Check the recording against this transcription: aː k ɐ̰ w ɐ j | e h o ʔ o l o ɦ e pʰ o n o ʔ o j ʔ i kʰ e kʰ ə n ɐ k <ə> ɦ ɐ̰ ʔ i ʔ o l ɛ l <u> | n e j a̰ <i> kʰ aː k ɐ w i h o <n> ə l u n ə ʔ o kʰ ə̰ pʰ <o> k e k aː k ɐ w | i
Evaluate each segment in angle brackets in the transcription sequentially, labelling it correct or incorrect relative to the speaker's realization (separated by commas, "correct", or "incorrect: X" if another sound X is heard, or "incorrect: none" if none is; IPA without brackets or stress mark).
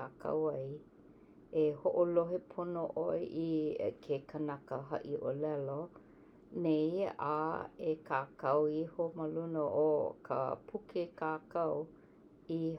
correct, incorrect: o, incorrect: e, incorrect: m, incorrect: u